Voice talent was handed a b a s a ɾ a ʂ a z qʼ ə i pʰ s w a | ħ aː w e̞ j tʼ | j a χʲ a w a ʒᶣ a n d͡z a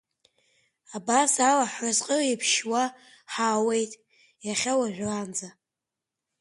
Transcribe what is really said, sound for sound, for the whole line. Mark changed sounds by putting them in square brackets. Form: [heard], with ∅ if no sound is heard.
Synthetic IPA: a b a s a [l] a [ħ] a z qʼ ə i pʰ [ʃ] w a | ħ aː w e̞ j tʼ | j a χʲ a w a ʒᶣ a n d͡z a